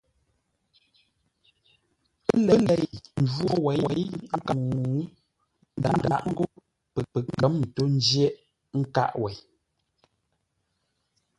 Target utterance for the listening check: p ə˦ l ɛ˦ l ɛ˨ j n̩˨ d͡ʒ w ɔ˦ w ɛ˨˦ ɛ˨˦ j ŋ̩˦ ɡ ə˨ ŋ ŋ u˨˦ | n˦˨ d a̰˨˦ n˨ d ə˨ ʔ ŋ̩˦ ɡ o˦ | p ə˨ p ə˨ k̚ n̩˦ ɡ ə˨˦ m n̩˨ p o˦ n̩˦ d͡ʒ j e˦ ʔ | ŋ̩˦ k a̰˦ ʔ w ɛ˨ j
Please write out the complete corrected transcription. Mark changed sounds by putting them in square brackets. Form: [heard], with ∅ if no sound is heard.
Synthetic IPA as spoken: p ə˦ l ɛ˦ l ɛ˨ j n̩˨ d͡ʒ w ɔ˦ w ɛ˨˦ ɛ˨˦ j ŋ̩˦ [k] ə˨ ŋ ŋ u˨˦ | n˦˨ d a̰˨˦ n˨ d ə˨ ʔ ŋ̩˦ ɡ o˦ | p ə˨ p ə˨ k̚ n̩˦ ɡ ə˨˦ m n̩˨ [t] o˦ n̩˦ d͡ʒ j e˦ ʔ | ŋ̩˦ k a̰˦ ʔ w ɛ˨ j